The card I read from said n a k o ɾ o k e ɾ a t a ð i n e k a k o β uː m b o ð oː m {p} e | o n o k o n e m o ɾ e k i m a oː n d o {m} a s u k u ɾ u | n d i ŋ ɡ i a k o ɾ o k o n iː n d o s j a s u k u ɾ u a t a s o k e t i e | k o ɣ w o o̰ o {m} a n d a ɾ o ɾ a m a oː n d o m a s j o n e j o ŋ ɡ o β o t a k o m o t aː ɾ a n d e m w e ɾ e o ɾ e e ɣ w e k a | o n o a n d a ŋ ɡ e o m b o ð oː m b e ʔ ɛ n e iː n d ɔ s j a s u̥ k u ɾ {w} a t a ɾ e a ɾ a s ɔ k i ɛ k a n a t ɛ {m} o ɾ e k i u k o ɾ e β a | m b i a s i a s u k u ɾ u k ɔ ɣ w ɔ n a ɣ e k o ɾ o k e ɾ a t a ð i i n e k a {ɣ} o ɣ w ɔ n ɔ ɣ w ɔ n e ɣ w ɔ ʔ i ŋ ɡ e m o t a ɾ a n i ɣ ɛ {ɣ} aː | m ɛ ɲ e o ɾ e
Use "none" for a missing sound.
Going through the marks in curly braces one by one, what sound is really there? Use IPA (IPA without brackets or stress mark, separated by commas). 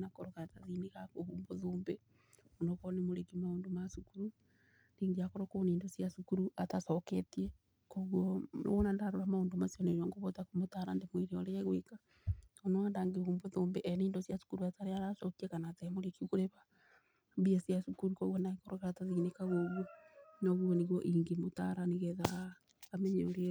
b, m, n, u, m, ɣ, ð